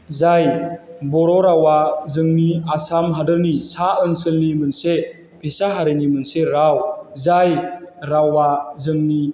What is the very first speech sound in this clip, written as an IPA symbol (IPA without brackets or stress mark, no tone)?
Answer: z